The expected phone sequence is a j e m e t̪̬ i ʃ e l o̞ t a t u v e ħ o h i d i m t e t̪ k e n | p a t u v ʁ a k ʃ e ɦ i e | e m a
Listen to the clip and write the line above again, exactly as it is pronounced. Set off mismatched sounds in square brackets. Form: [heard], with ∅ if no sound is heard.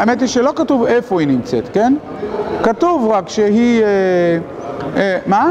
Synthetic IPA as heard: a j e m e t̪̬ i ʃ e l o̞ [k] a t u v e [f] o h i [n] i m [t͡s] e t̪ k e n | [k] a t u v ʁ a k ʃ e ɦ i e | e m a